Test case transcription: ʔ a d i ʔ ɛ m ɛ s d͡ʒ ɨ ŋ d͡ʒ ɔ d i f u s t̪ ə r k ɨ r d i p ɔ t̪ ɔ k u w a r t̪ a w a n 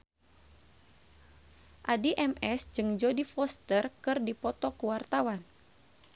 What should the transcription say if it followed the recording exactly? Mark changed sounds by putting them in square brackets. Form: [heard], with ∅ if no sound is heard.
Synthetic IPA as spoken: ʔ a d i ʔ ɛ m ɛ s d͡ʒ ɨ ŋ d͡ʒ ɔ d i f [ɔ] s t̪ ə r k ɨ r d i p ɔ t̪ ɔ k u w a r t̪ a w a n